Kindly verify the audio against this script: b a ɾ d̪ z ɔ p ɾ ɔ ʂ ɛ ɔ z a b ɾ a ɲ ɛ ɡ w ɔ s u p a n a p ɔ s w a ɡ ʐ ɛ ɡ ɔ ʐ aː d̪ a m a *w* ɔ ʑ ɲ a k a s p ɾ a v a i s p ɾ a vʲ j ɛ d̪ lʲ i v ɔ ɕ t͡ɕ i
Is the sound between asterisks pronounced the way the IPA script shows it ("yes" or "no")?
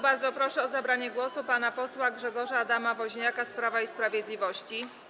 no